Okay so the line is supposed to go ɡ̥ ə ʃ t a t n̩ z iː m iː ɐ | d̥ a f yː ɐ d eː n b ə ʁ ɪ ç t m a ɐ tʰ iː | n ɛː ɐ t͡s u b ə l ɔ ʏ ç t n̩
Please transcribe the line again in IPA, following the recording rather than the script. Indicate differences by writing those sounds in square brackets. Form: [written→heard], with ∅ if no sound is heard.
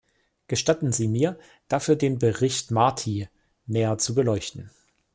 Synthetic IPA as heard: ɡ̥ ə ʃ t a t n̩ z iː m iː ɐ | d̥ a f yː ɐ d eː n b ə ʁ ɪ ç t m a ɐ tʰ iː | n ɛː ɐ t͡s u b ə l ɔ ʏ ç t n̩